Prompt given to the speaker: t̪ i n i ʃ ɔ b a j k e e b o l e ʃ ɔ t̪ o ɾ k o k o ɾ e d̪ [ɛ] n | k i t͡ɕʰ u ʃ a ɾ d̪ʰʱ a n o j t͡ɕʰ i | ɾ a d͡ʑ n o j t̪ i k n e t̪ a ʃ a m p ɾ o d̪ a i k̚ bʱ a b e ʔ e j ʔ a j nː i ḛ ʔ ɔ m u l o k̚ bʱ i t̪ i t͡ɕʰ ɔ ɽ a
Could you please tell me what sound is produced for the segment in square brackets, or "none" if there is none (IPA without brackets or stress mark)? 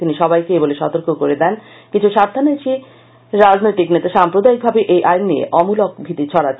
ɛ